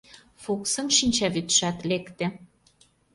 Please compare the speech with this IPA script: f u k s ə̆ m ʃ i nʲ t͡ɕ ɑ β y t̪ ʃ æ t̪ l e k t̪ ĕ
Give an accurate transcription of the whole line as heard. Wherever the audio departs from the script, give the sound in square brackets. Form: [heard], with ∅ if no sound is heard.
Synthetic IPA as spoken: f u k s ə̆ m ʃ i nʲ t͡ɕ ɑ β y t̪ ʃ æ t̪ l e k t̪ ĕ